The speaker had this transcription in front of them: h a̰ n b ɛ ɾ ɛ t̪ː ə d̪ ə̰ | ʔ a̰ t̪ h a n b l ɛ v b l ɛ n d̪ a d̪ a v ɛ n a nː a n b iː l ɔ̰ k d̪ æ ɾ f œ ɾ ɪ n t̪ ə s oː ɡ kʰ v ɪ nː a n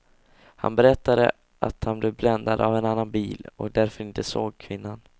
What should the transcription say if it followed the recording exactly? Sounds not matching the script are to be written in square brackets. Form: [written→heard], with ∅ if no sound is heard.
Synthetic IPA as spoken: h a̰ n b ɛ ɾ ɛ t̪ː [ə→a] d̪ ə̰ | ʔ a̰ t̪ h a n b l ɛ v b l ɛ n d̪ a d̪ a v ɛ n a nː a n b iː l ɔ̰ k d̪ æ ɾ f œ ɾ ɪ n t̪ ə s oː ɡ kʰ v ɪ nː a n